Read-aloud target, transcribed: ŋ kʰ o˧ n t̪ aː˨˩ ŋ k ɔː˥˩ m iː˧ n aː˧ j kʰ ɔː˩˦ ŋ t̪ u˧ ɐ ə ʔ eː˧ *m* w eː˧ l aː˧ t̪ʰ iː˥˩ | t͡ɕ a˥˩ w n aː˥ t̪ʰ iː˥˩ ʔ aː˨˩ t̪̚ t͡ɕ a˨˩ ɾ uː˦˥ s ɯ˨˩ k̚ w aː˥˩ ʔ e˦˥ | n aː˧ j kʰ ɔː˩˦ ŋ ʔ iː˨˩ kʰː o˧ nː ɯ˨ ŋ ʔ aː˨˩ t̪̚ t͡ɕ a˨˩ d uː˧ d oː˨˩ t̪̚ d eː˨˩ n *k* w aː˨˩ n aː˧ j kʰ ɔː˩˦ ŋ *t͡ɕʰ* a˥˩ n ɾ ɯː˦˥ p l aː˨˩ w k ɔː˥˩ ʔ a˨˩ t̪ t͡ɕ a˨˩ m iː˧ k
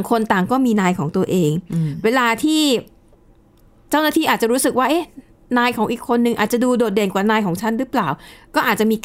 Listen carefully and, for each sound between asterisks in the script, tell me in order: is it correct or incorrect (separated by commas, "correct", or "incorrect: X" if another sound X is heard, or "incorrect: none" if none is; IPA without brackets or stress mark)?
incorrect: ŋ, correct, correct